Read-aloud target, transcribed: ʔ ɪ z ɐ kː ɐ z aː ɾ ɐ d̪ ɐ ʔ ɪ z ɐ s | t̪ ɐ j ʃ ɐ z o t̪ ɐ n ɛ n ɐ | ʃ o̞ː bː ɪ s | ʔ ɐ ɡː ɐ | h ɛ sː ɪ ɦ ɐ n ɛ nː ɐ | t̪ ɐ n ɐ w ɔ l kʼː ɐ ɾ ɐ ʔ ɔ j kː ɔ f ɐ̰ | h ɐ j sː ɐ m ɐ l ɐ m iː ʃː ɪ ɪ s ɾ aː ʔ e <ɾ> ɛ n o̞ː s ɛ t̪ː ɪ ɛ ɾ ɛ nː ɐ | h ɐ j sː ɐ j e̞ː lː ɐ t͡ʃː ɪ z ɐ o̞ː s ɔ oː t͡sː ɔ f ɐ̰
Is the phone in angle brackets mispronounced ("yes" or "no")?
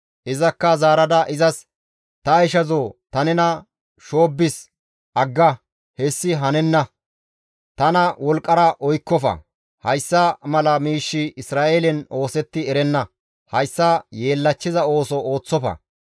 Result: yes